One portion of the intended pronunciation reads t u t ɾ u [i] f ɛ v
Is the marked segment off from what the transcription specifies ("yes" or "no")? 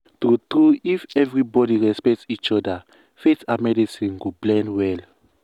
no